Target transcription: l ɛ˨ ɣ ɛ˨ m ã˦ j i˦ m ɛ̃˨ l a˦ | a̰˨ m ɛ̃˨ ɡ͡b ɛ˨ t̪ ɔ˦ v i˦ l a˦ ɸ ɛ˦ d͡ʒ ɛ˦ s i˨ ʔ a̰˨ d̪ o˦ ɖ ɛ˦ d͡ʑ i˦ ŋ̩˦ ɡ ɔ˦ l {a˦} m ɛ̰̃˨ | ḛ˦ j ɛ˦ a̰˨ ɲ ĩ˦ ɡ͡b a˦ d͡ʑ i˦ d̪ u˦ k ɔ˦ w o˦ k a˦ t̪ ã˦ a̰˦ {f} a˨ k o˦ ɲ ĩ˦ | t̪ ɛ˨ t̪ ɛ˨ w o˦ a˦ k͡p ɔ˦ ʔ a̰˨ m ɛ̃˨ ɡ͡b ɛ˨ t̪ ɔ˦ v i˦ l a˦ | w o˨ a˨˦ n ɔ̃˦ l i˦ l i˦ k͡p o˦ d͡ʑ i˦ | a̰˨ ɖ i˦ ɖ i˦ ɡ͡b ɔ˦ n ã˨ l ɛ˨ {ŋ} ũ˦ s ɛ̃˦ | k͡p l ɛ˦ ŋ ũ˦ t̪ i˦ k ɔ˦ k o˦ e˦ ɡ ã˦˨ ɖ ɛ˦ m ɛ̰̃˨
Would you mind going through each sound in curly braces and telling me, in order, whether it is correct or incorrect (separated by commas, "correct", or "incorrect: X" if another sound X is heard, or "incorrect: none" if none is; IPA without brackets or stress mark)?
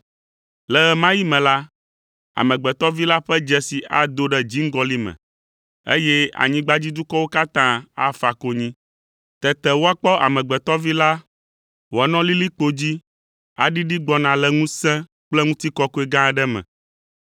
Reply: incorrect: i˦, correct, correct